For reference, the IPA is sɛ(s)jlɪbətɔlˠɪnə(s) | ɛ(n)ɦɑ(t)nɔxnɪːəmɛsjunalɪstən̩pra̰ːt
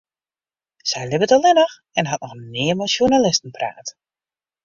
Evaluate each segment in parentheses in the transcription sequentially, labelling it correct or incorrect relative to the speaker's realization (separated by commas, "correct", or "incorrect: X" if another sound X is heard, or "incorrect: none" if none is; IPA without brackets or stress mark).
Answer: incorrect: none, incorrect: x, correct, correct